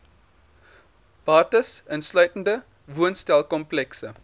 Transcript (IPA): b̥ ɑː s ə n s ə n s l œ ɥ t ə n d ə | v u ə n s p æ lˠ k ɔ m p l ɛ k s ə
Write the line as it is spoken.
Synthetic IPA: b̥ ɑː t ə s ə n s l œ ɥ t ə n d ə | v u ə n s t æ lˠ k ɔ m p l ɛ k s ə